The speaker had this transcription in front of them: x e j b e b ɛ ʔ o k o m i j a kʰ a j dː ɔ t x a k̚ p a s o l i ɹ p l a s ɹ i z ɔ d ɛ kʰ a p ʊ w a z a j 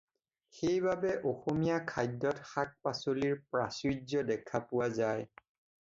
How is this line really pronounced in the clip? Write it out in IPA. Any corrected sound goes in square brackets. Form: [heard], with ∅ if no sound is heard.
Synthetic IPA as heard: x e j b [a] b ɛ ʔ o [x] o m i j a kʰ a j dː ɔ t x a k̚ p a s o l i ɹ p [ɹ] a s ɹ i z ɔ d ɛ kʰ a p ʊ w a z a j